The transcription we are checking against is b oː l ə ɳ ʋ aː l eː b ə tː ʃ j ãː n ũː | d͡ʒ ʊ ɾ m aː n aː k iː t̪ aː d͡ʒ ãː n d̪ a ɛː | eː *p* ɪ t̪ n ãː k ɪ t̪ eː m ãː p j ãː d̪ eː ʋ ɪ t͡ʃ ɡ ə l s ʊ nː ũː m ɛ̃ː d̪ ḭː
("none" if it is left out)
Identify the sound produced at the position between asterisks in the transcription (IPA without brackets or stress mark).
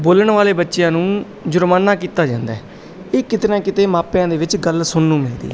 k